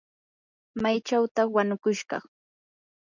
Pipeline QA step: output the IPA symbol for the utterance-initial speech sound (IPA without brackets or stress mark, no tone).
m